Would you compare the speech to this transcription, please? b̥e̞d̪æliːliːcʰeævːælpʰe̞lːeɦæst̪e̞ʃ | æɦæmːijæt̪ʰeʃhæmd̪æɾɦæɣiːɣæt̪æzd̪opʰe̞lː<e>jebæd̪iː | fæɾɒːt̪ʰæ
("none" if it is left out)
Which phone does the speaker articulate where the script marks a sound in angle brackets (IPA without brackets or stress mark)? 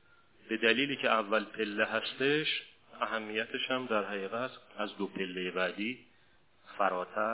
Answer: e